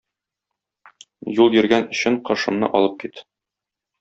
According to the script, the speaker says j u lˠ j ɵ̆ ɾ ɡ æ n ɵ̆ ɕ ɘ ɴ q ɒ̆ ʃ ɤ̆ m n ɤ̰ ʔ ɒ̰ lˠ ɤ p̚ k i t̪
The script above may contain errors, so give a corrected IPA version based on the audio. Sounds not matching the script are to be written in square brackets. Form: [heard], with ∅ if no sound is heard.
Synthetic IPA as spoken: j u lˠ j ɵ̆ ɾ ɡ æ n ɵ̆ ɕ ɘ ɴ q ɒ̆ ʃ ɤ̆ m n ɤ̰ ʔ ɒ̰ lˠ ɤ p̚ k i t̪